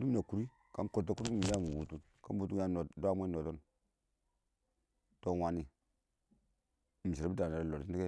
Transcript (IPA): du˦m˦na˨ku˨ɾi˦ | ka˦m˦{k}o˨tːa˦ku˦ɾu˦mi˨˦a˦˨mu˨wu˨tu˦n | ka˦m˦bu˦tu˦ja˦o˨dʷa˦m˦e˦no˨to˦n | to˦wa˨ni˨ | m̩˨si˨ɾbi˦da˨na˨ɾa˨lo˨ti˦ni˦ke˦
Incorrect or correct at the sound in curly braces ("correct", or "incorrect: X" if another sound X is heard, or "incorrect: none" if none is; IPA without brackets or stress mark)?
correct